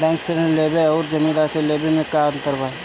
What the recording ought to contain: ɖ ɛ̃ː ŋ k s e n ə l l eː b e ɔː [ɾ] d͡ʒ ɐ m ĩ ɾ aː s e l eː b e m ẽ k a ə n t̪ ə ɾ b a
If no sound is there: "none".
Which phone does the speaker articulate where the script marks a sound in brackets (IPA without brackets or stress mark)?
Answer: ɾ